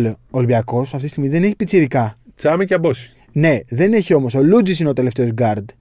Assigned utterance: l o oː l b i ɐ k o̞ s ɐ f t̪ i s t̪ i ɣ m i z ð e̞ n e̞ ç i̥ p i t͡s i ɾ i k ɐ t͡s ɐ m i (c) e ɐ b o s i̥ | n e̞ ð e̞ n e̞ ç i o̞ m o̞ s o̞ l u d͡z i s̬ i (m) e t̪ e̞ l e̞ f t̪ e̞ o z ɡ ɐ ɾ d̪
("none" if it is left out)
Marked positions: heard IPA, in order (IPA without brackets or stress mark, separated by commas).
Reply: c, n